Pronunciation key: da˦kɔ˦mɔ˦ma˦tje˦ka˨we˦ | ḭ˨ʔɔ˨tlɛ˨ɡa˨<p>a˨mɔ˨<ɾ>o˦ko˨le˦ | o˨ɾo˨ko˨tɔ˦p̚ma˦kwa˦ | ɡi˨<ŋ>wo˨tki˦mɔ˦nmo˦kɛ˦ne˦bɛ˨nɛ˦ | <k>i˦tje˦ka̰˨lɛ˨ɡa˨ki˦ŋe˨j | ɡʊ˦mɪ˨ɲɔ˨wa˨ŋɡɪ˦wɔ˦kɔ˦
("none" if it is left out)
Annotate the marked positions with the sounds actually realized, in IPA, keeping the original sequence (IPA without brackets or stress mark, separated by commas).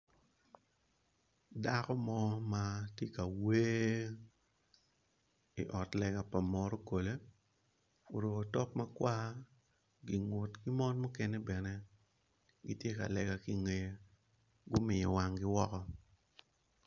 p, ɾ, ŋ, ɡ